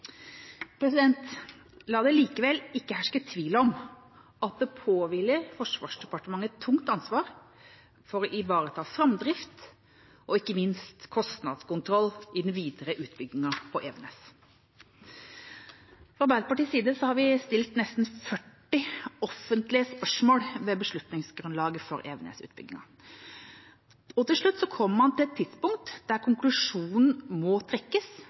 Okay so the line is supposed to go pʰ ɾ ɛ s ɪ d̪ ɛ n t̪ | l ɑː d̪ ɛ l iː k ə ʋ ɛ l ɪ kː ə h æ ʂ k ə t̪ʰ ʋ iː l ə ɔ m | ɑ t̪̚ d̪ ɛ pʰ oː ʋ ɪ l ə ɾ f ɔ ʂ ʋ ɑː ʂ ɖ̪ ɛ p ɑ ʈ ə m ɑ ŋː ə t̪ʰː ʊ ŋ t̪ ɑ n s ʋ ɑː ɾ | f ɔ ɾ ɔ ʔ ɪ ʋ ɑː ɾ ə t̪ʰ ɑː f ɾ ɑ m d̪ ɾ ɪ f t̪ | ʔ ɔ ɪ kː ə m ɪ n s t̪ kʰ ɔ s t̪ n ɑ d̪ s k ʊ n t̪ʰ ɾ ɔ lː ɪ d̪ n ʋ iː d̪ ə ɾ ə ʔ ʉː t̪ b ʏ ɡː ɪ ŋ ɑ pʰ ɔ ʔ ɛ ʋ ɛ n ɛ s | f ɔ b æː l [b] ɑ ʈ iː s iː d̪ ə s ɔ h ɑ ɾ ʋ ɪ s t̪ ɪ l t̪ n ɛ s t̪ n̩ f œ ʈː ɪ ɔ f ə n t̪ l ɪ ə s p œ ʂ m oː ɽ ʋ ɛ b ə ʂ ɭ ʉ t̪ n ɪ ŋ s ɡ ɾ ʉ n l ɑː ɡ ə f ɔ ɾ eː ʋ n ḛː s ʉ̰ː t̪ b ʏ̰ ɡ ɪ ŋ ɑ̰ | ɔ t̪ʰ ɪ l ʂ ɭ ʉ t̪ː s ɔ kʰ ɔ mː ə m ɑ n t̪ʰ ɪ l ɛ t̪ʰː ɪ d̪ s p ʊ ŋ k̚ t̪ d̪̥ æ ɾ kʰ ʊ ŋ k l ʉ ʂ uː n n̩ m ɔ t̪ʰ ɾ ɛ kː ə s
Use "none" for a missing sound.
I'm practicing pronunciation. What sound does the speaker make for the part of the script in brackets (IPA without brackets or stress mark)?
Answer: p